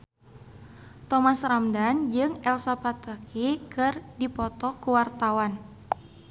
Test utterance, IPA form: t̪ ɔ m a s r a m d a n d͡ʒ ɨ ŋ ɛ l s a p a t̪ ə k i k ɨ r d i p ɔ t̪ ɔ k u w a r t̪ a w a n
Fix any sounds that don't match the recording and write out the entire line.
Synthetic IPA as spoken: t̪ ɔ m a s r a m d a n d͡ʒ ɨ ŋ ɛ l s a p a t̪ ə k i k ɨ r d i p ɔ t̪ ɔ k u w a r t̪ a w a n